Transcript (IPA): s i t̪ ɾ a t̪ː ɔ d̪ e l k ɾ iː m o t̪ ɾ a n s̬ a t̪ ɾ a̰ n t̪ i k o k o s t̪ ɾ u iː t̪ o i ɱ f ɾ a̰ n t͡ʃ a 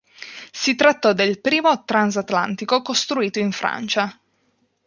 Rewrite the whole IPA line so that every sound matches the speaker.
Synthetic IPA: s i t̪ ɾ a t̪ː ɔ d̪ e l p ɾ iː m o t̪ ɾ a n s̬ a t̪ l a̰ n t̪ i k o k o s t̪ ɾ u iː t̪ o i ɱ f ɾ a̰ n t͡ʃ a